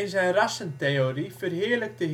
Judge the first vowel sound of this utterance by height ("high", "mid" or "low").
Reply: high